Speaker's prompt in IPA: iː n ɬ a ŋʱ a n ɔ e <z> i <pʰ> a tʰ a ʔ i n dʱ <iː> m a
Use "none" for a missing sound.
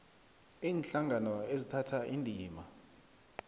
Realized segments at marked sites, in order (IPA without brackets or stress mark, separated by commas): z, tʰ, iː